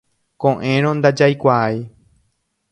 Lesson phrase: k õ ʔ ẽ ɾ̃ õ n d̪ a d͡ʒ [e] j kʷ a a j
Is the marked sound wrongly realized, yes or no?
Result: yes